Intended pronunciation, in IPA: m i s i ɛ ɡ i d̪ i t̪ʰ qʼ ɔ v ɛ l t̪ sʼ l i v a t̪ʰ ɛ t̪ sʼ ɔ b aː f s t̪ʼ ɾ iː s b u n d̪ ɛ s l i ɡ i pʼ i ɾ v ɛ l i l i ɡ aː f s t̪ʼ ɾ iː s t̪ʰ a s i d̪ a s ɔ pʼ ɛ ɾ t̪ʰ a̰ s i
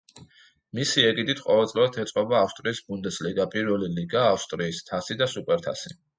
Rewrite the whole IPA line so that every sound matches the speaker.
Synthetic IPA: m i s i ɛ ɡ i d̪ i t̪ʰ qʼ ɔ v ɛ l t̪ sʼ l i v a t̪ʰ ɛ t̪ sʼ ɔ b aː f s t̪ʼ ɾ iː s b u n d̪ ɛ s l i ɡ a pʼ i ɾ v ɛ l i l i ɡ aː f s t̪ʼ ɾ iː s t̪ʰ a s i d̪ a s u pʼ ɛ ɾ t̪ʰ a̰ s i